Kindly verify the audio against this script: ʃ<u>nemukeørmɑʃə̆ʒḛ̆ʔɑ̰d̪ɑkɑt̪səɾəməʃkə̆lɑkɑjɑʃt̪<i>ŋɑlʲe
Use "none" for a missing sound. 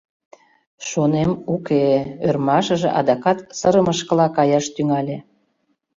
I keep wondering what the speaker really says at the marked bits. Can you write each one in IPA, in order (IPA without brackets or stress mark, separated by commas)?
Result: o, y